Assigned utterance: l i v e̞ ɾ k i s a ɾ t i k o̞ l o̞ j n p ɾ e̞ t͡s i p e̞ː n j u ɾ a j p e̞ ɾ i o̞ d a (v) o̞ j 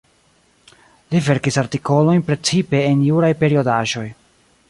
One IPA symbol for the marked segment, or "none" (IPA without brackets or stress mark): ʒ